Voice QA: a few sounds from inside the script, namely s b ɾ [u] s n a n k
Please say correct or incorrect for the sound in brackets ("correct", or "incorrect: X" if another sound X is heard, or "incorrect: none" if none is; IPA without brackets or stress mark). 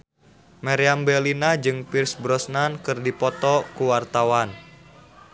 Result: incorrect: ɔ